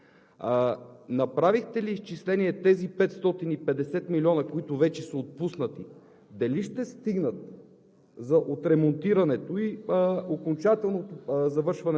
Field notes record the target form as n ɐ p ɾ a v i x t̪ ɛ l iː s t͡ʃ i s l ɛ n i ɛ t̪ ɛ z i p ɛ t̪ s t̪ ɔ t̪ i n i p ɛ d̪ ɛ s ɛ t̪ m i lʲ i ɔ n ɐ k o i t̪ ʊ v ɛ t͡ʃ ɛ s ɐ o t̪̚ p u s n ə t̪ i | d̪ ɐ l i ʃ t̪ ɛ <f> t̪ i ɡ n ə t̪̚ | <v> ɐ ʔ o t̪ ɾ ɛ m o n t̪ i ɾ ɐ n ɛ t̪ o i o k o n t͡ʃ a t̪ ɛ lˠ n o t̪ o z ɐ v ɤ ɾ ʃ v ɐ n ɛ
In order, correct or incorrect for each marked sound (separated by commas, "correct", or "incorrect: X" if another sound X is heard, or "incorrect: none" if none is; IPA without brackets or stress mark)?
incorrect: s, incorrect: z